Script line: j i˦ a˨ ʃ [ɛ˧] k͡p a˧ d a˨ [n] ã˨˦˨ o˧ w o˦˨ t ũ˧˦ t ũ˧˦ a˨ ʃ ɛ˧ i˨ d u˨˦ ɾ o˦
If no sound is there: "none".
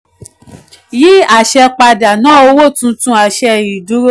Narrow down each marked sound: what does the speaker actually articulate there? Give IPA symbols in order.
ɛ˧, n

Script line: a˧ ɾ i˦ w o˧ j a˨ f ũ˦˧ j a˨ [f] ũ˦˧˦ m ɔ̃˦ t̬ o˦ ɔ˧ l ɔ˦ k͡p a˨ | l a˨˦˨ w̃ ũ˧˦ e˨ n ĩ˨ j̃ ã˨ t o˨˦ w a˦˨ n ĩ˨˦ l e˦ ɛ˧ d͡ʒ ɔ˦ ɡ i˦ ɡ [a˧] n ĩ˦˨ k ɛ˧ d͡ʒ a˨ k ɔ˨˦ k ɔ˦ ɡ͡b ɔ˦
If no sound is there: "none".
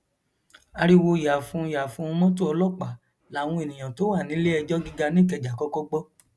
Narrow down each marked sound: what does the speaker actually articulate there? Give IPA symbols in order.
f, a˧

